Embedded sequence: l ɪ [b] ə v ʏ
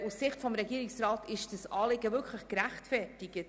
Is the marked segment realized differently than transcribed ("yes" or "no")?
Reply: yes